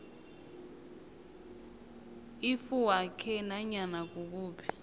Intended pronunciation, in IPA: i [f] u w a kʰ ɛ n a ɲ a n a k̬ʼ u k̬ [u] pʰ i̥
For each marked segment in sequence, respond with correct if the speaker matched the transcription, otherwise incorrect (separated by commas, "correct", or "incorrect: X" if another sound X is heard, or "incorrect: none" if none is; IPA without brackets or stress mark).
correct, incorrect: uː